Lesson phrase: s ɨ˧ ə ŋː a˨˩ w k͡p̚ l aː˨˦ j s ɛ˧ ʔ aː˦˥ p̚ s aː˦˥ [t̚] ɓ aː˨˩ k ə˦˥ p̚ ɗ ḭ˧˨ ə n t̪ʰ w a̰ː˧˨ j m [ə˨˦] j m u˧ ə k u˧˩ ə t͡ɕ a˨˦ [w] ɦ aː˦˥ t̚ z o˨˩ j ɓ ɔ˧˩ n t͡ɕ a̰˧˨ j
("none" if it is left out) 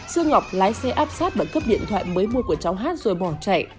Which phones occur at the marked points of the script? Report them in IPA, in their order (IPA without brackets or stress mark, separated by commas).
t̚, əː˨˦, w